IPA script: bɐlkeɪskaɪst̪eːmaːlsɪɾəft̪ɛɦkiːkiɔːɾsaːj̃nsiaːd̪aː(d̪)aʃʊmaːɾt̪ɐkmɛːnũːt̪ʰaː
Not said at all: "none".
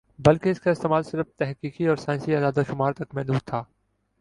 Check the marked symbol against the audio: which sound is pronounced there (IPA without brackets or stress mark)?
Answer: d̪